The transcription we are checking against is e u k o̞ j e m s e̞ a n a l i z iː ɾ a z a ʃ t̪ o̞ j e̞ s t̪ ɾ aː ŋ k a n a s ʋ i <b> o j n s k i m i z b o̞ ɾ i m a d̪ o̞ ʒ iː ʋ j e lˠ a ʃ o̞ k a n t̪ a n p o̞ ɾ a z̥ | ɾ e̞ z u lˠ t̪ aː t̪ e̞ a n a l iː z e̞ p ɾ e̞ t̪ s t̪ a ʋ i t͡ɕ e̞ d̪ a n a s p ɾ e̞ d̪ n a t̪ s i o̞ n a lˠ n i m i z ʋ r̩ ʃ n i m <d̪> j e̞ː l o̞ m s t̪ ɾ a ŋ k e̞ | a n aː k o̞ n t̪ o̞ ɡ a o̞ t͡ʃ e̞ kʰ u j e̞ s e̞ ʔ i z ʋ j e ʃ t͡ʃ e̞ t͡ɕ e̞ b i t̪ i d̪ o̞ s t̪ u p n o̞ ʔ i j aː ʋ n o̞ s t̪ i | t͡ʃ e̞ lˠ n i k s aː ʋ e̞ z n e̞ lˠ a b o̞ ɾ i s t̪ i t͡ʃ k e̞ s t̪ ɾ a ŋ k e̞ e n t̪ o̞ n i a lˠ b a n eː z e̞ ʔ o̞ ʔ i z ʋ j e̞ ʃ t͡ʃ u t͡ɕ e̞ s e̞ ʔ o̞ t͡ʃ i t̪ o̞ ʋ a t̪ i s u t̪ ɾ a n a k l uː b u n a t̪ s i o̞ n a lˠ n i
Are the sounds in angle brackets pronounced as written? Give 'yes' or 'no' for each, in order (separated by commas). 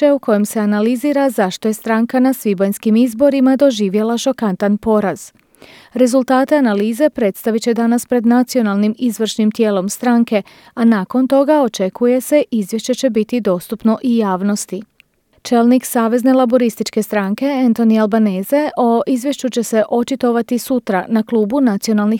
yes, no